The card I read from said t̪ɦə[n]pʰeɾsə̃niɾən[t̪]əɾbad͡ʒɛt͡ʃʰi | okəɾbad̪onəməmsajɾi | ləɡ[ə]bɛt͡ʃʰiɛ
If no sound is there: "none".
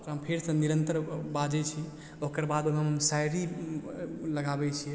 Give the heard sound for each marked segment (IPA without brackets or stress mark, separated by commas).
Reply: m, t̪, a